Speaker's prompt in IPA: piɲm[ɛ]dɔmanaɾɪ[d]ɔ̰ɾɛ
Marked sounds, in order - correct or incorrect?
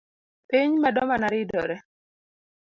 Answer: incorrect, correct

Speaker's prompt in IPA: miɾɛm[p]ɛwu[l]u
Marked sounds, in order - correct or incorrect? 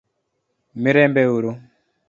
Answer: incorrect, incorrect

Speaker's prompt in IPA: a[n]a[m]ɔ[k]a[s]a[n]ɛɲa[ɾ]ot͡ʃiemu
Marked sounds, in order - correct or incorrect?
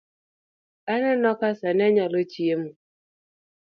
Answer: correct, incorrect, correct, correct, correct, incorrect

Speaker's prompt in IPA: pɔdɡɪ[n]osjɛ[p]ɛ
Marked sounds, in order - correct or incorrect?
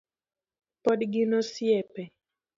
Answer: correct, correct

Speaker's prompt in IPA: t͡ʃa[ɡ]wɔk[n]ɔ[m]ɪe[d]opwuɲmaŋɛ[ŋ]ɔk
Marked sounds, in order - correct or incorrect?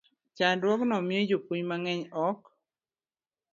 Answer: incorrect, correct, correct, incorrect, incorrect

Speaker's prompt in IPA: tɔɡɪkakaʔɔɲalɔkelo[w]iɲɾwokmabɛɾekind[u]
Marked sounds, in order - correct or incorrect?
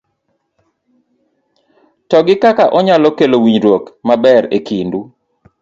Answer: correct, correct

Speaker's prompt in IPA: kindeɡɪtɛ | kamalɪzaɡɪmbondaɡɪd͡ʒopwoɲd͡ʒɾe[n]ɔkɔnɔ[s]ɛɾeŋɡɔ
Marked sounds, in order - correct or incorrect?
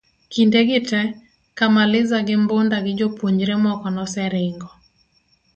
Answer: incorrect, correct

